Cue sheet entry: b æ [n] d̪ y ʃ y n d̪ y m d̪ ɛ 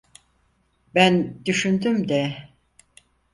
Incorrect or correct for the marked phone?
correct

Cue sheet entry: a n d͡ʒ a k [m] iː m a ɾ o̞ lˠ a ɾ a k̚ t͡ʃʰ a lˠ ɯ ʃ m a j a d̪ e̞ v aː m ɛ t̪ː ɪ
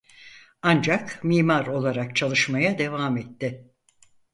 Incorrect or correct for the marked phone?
correct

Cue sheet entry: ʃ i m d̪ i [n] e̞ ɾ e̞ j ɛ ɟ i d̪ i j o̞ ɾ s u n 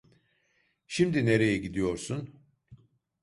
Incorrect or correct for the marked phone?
correct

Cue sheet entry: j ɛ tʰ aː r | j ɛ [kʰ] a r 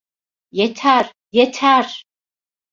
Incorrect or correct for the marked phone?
incorrect: tʰ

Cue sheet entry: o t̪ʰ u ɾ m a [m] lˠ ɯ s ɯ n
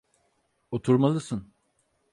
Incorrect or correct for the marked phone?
incorrect: none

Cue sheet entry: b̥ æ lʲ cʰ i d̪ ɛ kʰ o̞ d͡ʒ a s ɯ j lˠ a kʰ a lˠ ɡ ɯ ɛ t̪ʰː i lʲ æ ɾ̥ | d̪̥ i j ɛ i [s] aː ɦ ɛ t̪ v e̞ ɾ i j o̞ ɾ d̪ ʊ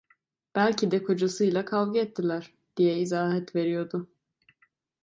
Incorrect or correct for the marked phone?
incorrect: z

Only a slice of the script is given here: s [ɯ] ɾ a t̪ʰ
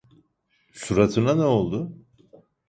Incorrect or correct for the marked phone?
incorrect: u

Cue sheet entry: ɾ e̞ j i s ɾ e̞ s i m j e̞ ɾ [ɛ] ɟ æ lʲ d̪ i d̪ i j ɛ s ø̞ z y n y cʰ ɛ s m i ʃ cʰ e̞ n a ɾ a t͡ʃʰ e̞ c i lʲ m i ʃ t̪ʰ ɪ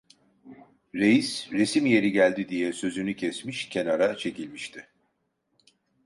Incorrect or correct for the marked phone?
incorrect: i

